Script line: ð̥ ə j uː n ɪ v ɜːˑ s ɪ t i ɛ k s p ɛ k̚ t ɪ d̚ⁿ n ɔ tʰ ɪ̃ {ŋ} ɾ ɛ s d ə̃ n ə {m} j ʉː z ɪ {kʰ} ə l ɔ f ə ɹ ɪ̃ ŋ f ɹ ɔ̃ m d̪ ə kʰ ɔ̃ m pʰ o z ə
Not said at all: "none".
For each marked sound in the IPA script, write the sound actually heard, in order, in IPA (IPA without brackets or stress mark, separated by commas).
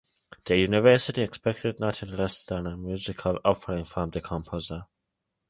n, m, kʰ